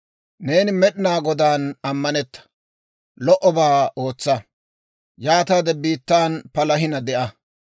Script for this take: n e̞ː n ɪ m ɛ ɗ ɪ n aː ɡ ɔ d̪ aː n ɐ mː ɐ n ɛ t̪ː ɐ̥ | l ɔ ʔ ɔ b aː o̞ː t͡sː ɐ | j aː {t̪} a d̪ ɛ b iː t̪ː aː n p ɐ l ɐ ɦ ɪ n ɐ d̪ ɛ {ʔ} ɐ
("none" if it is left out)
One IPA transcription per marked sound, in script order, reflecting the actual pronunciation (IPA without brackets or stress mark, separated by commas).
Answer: t̪, ʔ